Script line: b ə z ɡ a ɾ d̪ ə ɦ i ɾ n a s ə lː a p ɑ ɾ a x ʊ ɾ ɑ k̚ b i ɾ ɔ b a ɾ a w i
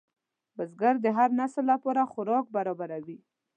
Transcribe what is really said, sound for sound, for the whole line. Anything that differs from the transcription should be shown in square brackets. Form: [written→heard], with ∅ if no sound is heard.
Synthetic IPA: b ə z ɡ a ɾ d̪ ə ɦ [i→a] ɾ n a s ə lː a p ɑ ɾ a x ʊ ɾ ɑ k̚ b [i→a] ɾ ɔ b a ɾ a w i